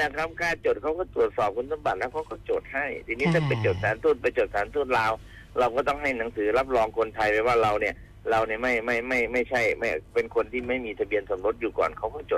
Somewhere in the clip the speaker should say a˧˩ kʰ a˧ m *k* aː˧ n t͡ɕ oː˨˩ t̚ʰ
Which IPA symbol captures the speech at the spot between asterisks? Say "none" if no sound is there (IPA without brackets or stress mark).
k